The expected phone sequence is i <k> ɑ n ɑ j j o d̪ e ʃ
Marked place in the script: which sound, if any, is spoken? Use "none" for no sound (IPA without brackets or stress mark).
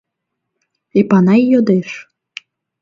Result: p